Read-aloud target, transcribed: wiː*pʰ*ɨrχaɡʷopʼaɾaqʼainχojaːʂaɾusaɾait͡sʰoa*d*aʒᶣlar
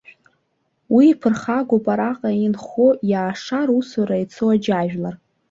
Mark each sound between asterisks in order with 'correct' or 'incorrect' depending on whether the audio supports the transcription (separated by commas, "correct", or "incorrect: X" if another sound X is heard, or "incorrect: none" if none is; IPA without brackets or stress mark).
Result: correct, incorrect: d͡ʒ